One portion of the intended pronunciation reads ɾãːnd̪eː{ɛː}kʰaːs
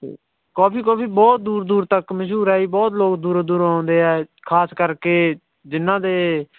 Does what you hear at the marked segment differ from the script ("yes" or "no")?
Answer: no